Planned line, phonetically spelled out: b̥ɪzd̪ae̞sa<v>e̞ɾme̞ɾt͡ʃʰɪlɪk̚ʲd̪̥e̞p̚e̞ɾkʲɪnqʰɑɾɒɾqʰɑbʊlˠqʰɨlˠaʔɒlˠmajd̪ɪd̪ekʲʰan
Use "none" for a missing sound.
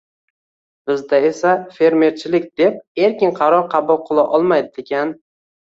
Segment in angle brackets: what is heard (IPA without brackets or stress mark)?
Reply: f